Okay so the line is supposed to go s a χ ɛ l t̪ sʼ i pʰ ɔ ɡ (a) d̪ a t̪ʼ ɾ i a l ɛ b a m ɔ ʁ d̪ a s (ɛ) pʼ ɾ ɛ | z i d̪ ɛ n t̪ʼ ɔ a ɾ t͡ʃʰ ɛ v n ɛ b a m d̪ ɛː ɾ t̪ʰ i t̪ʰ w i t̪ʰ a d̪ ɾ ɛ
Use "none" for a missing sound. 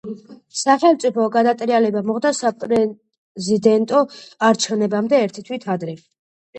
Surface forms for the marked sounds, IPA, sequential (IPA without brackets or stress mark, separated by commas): a, a